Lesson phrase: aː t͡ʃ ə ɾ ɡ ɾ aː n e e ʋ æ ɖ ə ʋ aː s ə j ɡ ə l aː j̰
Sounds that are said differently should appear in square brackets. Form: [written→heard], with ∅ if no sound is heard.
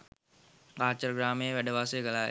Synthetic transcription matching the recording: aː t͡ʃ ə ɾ ɡ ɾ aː [n→m] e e ʋ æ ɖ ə ʋ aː s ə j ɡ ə l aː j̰